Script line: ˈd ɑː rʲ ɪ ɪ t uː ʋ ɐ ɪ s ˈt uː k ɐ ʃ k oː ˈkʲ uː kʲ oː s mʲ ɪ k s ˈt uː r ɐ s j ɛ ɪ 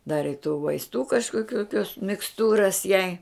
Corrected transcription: ˈd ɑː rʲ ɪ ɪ t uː ʋ ɐ ɪ s ˈt uː k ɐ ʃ k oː ˈkʲ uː kʲ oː s mʲ ɪ k s ˈt uː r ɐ s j ɛ ɪ